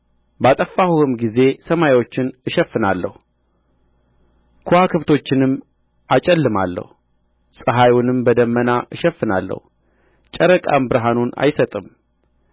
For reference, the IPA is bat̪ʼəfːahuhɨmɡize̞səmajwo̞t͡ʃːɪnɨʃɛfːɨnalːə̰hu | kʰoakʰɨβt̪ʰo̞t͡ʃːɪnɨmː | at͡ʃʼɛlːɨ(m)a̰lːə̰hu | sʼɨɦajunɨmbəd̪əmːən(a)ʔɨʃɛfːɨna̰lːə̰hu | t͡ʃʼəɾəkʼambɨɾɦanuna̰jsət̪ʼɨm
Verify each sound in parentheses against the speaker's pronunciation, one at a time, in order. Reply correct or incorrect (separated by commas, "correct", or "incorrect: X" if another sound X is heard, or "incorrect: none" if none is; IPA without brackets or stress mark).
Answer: correct, correct